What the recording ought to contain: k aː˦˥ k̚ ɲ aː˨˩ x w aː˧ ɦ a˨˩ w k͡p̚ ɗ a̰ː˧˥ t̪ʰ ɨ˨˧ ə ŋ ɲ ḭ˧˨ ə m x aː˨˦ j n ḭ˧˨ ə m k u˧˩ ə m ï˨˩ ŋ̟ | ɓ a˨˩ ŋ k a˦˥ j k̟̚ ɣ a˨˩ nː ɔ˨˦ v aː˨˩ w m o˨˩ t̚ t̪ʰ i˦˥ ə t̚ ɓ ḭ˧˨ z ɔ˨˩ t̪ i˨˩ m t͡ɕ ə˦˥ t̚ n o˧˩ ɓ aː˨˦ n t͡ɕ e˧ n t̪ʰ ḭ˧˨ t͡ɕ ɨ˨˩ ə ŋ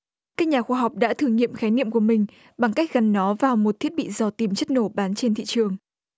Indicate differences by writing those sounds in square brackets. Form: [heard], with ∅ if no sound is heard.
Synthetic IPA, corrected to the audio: k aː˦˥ k̚ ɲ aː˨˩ x w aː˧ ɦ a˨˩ w k͡p̚ ɗ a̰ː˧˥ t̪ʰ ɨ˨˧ ə ŋ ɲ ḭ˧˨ ə m x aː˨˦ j n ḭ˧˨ ə m k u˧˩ ə m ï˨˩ ŋ̟ | ɓ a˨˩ ŋ k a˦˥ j k̟̚ ɣ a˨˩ nː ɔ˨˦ v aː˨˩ w m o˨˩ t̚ t̪ʰ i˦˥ ə t̚ ɓ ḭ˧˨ z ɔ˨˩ t̪ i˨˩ m t͡ɕ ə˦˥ t̚ n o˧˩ ɓ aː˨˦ n t͡ɕ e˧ n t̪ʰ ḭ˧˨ t͡ɕ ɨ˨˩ ə ŋ